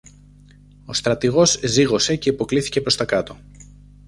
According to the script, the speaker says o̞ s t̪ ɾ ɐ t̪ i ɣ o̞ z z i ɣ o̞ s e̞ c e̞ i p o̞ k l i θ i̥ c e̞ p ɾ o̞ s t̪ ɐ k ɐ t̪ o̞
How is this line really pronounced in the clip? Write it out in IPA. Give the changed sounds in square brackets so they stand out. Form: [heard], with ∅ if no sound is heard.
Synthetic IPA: o̞ s t̪ ɾ ɐ t̪ i ɣ o̞ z z i ɣ o̞ s e̞ c e̞ i p o̞ k l i θ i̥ c e̞ p ɾ o̞ s t̪ ɐ k ɐ t̪ o̞